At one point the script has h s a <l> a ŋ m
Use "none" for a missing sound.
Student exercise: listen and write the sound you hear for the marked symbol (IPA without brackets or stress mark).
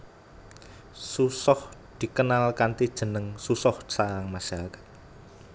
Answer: ɾ